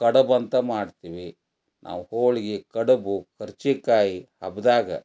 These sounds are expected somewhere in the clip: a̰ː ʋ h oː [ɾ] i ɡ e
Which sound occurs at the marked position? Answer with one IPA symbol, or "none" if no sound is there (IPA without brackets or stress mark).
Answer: ɭ